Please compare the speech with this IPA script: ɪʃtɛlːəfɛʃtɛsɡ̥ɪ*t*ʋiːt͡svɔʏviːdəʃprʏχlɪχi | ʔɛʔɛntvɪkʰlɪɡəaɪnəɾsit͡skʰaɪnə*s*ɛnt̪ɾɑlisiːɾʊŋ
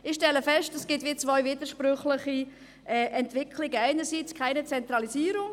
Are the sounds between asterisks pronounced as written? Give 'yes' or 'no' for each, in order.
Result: yes, no

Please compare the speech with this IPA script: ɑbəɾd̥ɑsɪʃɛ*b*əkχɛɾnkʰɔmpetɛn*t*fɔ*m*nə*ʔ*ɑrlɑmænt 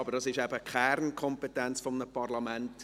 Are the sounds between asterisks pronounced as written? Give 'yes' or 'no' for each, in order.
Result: yes, no, yes, no

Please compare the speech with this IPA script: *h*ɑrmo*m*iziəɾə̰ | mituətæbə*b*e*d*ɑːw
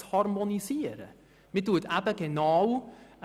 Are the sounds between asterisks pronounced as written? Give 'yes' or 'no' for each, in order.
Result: yes, no, no, no

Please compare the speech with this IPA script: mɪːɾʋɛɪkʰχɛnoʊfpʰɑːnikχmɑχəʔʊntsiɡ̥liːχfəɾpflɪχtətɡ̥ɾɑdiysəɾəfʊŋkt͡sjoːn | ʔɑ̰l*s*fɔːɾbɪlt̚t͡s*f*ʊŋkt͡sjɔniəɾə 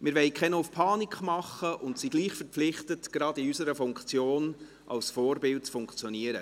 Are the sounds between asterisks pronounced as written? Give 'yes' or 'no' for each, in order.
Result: yes, yes

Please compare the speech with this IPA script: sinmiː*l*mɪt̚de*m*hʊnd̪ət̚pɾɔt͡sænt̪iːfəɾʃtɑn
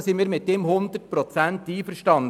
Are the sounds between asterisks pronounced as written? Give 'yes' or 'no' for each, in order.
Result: no, yes

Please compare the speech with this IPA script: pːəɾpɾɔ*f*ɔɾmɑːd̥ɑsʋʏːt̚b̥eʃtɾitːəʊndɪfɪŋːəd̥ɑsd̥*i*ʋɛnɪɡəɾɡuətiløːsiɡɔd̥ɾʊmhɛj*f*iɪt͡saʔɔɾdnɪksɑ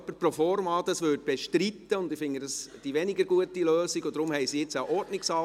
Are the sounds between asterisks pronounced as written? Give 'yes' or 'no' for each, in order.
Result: yes, yes, no

